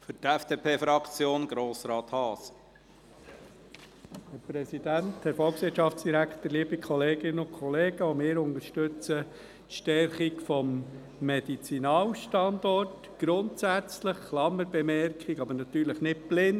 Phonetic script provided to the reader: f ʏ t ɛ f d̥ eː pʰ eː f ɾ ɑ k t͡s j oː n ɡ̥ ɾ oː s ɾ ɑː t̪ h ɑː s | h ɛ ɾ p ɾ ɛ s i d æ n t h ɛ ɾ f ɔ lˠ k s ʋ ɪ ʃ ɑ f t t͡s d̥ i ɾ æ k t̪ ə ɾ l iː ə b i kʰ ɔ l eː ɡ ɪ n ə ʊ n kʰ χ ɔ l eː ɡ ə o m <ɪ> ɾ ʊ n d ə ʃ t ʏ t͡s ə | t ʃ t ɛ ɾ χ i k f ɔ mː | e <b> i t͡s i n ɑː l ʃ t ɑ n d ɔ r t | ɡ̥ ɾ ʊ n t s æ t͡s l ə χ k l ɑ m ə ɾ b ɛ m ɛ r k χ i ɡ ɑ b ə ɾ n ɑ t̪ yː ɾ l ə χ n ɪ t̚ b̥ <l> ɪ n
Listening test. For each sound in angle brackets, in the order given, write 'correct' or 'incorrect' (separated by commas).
incorrect, incorrect, correct